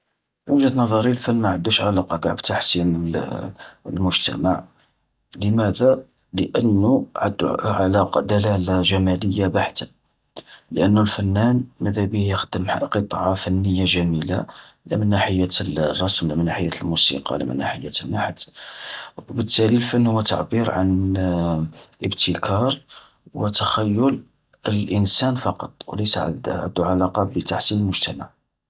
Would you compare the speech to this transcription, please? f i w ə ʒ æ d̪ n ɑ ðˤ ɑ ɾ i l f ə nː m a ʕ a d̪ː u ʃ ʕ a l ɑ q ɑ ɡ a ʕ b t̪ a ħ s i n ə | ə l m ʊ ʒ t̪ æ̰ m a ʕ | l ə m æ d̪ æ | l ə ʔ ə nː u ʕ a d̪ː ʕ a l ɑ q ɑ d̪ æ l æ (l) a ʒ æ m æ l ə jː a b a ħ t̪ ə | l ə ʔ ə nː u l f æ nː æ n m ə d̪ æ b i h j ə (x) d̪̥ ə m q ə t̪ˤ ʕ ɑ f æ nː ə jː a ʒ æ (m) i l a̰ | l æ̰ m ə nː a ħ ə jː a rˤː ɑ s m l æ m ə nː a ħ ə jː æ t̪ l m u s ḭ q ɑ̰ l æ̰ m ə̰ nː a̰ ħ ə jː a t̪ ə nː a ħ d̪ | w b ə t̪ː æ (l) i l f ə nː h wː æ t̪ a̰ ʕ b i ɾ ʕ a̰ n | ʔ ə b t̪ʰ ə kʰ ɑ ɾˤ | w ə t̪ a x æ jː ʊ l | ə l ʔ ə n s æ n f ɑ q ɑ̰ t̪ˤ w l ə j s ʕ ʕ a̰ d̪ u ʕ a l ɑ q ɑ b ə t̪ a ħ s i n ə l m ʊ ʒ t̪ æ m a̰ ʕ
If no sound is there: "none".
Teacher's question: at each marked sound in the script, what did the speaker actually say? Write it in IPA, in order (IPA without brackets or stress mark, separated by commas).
l, x, m, l